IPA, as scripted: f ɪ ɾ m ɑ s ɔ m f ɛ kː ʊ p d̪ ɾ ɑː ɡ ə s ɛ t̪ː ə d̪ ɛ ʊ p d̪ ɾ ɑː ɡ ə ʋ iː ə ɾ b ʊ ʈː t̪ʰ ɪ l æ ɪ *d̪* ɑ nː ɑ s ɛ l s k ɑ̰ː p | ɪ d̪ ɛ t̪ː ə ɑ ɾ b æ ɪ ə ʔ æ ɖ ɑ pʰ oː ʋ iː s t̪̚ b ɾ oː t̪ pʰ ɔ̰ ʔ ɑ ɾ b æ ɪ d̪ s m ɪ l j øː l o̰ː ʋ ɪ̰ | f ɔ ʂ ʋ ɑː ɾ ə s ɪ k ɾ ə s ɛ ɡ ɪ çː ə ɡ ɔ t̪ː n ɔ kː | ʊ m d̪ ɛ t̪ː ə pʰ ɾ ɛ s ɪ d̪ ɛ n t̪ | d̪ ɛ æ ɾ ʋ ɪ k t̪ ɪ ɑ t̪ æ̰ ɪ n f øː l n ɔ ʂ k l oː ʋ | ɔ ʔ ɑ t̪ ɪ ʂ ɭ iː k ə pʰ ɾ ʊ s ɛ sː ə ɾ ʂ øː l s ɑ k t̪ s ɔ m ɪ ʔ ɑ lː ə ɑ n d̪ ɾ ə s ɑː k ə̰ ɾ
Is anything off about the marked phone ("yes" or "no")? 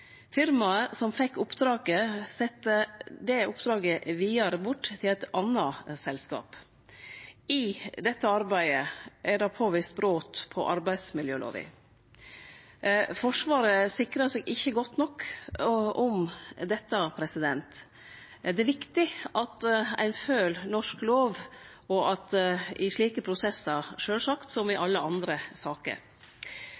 yes